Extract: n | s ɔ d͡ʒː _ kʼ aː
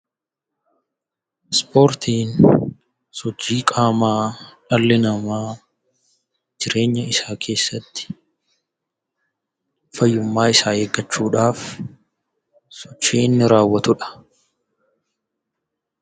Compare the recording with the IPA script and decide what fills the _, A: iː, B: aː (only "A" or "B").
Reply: A